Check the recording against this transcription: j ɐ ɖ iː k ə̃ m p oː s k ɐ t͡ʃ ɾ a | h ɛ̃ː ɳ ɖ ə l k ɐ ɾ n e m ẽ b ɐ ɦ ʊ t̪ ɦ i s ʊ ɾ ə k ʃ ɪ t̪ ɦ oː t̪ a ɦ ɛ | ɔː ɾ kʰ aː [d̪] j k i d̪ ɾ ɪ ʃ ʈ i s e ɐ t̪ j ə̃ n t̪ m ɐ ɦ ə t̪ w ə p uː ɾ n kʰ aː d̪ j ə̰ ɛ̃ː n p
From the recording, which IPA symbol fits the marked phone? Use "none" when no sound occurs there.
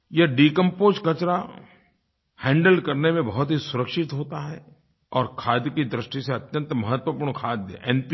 d̪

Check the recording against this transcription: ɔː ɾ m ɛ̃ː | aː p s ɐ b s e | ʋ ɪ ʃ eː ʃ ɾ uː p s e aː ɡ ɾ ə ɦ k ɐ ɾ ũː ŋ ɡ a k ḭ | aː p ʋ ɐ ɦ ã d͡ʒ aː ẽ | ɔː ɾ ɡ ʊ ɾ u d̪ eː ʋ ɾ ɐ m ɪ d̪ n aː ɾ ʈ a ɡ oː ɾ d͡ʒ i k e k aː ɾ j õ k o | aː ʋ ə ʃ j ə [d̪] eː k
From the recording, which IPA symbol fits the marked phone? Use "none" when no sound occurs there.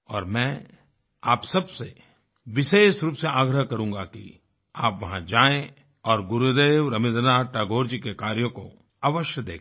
d̪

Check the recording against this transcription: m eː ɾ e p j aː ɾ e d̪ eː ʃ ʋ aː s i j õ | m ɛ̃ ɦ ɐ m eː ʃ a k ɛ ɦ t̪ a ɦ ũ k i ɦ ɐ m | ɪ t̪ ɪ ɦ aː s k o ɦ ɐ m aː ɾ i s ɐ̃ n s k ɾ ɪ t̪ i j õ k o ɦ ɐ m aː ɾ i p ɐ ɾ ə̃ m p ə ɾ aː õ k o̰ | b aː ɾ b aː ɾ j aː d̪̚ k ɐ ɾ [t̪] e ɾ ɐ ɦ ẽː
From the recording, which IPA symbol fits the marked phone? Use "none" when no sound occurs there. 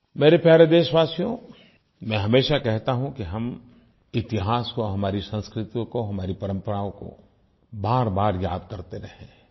t̪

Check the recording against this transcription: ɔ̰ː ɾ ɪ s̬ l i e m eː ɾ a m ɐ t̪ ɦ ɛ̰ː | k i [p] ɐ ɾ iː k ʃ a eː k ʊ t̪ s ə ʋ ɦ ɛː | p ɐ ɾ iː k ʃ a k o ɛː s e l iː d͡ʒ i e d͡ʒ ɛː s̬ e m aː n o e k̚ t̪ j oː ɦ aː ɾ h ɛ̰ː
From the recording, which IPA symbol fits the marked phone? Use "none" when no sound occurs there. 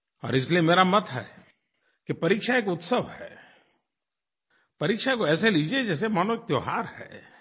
p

